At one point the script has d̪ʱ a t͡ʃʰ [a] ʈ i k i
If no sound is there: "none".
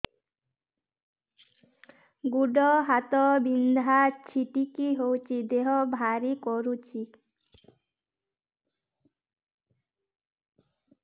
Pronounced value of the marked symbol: i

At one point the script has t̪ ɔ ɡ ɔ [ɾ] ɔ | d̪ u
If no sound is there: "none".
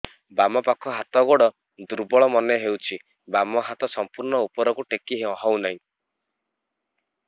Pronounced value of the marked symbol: ɽ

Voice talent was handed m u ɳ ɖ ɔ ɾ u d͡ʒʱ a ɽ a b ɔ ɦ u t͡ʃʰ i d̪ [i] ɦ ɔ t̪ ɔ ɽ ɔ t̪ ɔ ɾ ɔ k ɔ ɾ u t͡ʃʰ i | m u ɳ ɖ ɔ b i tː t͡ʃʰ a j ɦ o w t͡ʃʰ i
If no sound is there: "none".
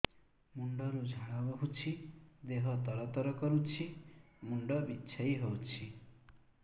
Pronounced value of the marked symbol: e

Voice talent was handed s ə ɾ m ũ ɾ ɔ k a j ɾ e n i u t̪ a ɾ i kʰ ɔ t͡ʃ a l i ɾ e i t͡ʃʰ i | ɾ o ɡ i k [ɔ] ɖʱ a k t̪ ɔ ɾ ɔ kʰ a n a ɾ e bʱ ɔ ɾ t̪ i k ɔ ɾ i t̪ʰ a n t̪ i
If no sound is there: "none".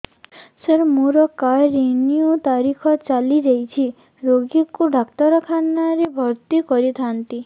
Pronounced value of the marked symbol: u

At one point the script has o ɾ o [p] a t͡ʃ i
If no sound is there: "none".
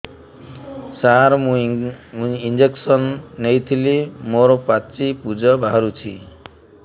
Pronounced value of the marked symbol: p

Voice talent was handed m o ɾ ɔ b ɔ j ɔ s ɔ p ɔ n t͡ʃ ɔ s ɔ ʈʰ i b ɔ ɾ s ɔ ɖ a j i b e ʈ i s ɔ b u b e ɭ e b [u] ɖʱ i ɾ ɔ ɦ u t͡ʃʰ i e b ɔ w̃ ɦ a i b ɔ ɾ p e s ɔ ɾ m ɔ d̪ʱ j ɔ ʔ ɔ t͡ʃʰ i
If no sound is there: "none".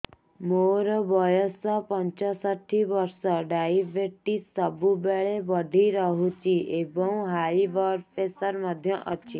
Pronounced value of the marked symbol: ɔ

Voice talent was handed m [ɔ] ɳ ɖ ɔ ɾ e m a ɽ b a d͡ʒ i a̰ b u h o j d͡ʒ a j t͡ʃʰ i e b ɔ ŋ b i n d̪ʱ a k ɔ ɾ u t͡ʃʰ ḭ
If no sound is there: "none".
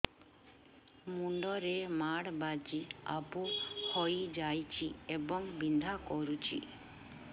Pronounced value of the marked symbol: u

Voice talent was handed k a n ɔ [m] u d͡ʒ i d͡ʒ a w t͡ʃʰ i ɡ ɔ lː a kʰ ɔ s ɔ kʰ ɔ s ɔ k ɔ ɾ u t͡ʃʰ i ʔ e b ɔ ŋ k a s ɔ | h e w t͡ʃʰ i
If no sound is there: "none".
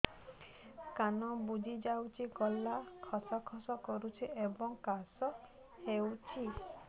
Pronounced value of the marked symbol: b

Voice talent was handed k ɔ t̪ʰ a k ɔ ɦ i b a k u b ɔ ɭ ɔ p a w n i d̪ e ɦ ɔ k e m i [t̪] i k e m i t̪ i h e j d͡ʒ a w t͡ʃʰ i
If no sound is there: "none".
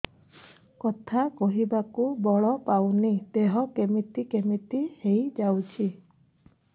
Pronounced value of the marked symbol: t̪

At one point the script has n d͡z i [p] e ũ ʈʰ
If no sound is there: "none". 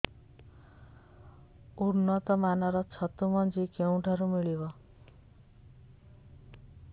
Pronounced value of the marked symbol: k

